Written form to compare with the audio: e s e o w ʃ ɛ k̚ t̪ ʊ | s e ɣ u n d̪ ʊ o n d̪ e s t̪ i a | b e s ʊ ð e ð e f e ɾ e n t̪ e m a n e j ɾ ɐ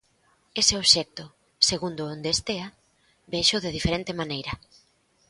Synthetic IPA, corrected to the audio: e s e o β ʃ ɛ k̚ t̪ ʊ | s e ɣ u n d̪ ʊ o n d̪ e s t̪ e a | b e ʃ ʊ ð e ð i f e ɾ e n t̪ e m a n e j ɾ ɐ